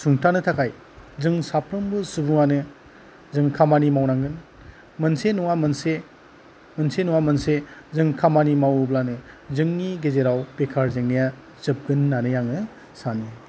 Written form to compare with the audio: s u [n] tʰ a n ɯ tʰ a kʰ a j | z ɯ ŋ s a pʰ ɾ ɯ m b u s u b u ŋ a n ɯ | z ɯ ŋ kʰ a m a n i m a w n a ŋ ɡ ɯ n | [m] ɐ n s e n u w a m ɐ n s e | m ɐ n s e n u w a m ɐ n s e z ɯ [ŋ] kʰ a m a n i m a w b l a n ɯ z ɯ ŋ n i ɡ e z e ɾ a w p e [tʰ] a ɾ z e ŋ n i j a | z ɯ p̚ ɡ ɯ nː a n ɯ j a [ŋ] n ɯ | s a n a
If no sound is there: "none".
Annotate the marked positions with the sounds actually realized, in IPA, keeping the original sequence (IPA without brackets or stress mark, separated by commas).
ŋ, m, ŋ, kʰ, ŋ